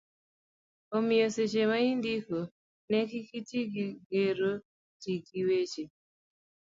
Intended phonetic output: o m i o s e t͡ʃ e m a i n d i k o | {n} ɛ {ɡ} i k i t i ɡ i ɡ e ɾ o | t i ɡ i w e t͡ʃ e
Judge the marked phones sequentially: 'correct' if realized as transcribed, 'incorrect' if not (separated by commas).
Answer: correct, incorrect